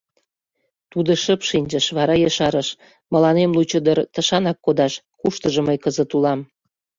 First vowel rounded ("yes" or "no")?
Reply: yes